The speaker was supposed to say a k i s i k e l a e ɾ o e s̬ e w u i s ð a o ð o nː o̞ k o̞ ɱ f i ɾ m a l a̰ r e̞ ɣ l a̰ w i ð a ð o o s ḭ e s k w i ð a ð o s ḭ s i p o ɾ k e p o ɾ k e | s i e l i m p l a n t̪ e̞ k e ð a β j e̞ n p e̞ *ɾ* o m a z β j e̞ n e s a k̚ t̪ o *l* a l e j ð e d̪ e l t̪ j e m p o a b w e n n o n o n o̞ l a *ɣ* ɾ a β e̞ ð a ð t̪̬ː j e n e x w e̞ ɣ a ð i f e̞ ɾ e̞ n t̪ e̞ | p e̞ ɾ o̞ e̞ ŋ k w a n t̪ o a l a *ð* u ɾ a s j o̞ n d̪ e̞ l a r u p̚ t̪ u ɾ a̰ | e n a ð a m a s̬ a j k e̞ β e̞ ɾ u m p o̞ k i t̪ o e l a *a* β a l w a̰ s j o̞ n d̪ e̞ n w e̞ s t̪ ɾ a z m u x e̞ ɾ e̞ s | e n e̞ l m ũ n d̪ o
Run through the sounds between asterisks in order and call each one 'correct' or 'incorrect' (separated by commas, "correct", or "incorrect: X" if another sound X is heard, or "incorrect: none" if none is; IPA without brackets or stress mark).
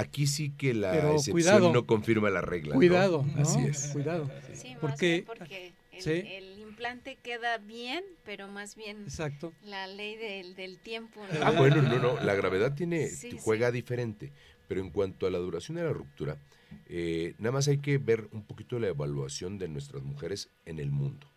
correct, correct, correct, correct, incorrect: e